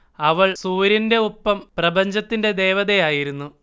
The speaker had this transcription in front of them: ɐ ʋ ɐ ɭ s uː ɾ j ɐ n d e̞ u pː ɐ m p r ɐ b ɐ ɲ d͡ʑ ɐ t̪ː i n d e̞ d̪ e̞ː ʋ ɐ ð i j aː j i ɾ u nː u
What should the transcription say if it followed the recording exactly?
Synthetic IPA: ɐ ʋ ɐ ɭ s uː ɾ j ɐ n d e̞ u pː ɐ m p r ɐ b ɐ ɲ d͡ʑ ɐ t̪ː i n d e̞ d̪ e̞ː ʋ ɐ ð e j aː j i ɾ u nː u